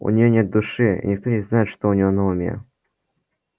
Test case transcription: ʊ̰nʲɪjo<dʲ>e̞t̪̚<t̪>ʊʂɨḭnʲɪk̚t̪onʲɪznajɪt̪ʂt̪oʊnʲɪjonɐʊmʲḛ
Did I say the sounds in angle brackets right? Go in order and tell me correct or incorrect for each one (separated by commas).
incorrect, incorrect